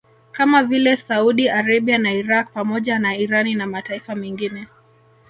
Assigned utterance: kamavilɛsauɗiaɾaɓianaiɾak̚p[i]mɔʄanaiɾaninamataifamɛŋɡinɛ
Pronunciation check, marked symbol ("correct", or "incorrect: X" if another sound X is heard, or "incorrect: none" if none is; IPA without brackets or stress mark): incorrect: a